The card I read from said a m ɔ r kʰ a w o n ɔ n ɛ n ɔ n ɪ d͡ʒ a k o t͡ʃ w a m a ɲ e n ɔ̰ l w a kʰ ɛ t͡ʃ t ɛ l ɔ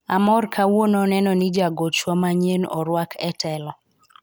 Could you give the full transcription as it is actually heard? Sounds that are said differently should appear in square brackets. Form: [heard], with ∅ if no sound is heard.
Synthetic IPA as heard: a m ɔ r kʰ a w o n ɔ n ɛ n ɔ n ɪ d͡ʒ a [ɡ] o t͡ʃ w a m a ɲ e n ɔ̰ [ɾ] w a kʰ ɛ [∅] t ɛ l ɔ